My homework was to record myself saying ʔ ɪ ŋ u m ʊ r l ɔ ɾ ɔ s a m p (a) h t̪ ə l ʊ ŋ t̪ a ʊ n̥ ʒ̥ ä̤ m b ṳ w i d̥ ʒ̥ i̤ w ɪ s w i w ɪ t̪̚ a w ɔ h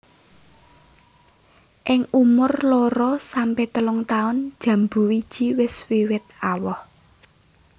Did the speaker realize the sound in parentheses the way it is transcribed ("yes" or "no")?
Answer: no